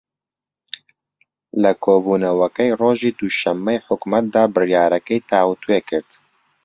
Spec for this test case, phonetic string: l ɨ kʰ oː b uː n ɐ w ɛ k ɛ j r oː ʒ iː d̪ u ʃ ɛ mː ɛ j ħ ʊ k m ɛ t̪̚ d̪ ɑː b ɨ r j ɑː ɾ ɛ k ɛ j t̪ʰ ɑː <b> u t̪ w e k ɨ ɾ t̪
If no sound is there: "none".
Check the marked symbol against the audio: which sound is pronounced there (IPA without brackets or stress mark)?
w